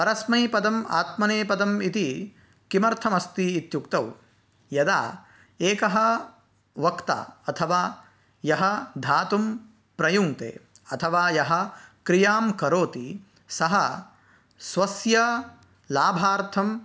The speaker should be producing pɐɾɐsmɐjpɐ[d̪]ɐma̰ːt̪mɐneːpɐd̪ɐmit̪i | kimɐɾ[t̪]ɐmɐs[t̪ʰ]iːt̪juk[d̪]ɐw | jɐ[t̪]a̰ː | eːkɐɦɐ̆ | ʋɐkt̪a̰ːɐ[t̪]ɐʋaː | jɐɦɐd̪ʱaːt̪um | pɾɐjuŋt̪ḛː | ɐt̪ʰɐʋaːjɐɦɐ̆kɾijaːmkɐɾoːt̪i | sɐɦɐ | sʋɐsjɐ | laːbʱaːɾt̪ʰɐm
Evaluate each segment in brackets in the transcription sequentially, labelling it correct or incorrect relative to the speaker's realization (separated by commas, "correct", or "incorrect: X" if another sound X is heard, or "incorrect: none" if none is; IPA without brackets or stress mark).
correct, incorrect: t̪ʰ, incorrect: t̪, incorrect: t̪, incorrect: d̪, incorrect: t̪ʰ